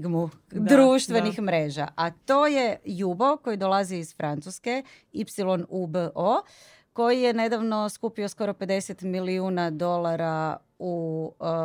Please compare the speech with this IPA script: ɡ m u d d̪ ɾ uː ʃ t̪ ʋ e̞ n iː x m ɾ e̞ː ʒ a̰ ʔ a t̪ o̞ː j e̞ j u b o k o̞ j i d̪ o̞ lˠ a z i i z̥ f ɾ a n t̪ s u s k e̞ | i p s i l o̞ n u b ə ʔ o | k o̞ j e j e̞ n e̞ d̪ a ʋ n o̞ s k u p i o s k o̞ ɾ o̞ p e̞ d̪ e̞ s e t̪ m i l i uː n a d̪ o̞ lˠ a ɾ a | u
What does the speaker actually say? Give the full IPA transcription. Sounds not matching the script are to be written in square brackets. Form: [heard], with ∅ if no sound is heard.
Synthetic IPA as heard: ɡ m u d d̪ ɾ uː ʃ t̪ ʋ e̞ n [i] x m ɾ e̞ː ʒ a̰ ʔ a t̪ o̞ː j e̞ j u b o k o̞ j i d̪ o̞ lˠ a z i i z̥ f ɾ a n t̪ s u s k e̞ | i p s i l o̞ n u b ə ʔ o | k o̞ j [i] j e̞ n e̞ d̪ a ʋ n o̞ s k u p i o s k o̞ ɾ o̞ p e̞ d̪ e̞ s e t̪ m i l i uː n a d̪ o̞ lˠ a ɾ a | u